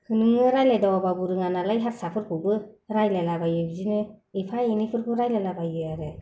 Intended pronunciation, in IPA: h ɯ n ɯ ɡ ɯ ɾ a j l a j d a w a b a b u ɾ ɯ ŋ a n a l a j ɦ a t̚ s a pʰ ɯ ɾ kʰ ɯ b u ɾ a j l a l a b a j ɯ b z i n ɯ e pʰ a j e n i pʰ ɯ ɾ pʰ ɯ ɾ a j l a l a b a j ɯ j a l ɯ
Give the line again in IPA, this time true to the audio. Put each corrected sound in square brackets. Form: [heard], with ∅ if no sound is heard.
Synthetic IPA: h ɯ n ɯ [ŋ] ɯ ɾ a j l a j d a w a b a b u ɾ ɯ ŋ a n a l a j ɦ a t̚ s a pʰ ɯ ɾ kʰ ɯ b [ɯ] ɾ a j l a l a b a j ɯ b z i n ɯ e pʰ a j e n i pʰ ɯ ɾ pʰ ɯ ɾ a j l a l a b a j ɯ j a [ɾ] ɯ